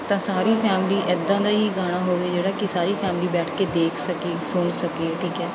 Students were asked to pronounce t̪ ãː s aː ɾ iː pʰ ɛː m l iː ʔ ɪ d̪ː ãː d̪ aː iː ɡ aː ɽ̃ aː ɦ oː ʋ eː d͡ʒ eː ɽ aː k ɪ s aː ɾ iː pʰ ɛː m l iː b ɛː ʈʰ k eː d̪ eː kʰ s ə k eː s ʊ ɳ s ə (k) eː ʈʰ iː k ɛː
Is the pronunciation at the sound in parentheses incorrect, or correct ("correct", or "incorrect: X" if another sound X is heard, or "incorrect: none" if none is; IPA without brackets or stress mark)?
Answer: correct